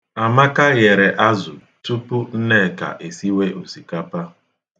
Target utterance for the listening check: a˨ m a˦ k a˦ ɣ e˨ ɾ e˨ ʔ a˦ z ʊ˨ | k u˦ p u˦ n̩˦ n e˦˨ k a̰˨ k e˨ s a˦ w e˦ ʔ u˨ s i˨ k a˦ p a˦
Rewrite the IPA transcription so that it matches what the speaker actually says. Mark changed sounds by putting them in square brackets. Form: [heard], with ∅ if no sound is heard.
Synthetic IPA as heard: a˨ m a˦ k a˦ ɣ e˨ ɾ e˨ ʔ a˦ z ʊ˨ | [t] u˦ p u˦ n̩˦ n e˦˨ k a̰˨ [ʔ] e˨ s [i˦] w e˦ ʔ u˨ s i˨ k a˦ p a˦

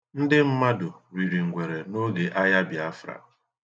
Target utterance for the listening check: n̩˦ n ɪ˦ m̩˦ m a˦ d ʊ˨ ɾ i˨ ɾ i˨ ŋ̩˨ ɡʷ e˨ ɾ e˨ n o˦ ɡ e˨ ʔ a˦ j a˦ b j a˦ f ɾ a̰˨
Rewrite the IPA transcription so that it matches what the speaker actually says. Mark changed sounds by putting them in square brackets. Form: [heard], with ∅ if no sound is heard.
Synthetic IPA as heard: n̩˦ [d] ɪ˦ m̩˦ m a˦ d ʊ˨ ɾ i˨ ɾ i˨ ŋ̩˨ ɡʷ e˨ ɾ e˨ n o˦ ɡ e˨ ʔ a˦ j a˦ b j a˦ f ɾ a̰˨

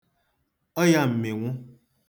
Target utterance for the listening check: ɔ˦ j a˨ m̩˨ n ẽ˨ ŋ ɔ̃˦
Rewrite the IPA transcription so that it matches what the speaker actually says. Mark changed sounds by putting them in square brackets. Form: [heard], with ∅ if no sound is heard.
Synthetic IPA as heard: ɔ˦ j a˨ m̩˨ [m] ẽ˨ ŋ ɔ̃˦

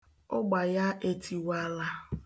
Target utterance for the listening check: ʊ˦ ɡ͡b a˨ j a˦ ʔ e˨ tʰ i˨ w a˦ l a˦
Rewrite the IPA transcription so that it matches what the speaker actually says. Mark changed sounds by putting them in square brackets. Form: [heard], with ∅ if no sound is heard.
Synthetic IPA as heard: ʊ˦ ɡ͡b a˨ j a˦ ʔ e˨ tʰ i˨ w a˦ l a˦

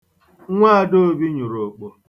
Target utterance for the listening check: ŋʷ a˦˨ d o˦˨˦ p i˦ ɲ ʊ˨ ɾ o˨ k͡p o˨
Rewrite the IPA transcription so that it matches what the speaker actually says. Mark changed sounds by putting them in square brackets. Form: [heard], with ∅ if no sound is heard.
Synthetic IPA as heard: ŋʷ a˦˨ d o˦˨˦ [b] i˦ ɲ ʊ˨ ɾ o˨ k͡p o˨

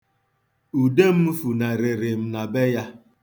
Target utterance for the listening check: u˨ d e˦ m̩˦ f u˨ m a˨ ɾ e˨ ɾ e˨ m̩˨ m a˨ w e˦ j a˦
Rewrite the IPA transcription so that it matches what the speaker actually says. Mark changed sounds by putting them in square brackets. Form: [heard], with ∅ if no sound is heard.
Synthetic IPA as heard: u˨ d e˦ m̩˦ f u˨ [n] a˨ ɾ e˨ ɾ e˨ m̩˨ [n] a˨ [b] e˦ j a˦

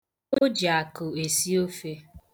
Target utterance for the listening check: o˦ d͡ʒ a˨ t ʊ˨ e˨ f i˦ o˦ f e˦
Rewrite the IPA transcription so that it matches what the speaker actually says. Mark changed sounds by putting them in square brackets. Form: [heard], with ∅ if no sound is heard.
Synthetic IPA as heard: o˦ d͡ʒ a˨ [k] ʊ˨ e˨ [s] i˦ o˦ f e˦

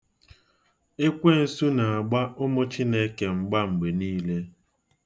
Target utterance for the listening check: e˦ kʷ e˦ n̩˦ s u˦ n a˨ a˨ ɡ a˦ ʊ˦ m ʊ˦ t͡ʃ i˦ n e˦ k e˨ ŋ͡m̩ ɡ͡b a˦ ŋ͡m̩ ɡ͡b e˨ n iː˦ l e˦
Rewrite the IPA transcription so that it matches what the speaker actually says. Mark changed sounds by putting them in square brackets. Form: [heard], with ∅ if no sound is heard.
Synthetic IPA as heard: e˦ kʷ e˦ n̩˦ s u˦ n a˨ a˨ [ɡ͡b] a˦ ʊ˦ m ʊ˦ t͡ʃ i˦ n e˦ k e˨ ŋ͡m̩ ɡ͡b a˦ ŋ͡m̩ ɡ͡b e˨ n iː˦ l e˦

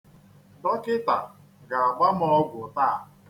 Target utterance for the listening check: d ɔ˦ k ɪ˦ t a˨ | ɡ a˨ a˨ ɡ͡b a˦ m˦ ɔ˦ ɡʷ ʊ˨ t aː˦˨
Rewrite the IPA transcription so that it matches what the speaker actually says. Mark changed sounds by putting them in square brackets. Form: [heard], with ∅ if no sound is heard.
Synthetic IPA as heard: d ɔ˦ k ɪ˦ t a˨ | ɡ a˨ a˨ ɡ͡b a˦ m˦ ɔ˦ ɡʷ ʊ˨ t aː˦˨

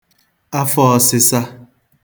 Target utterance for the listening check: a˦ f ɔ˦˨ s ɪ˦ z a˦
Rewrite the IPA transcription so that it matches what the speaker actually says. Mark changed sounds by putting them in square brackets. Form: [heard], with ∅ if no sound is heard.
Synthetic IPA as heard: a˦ f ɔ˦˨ s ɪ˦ [s] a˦

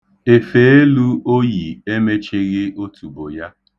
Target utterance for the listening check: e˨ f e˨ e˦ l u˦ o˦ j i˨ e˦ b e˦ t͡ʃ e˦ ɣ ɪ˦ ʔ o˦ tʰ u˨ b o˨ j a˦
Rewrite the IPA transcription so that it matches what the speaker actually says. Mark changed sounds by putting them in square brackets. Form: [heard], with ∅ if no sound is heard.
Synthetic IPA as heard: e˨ f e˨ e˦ l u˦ o˦ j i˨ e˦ [m] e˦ t͡ʃ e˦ ɣ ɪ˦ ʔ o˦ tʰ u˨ b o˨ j a˦

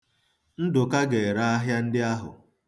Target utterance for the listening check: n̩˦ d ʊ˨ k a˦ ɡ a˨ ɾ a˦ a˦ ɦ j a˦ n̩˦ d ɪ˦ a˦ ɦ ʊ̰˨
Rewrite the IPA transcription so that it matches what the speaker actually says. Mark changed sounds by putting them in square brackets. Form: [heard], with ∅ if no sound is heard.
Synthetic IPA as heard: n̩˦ d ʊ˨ k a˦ ɡ [e˨] ɾ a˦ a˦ ɦ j a˦ n̩˦ d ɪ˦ a˦ ɦ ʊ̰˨

